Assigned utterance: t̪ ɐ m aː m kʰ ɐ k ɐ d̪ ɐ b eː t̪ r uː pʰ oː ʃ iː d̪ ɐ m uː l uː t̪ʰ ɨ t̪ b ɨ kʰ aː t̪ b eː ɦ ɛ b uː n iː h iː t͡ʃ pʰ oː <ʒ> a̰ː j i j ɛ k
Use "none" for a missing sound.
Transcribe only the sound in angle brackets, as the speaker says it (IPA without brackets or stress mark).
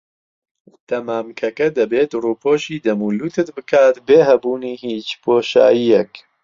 ʃ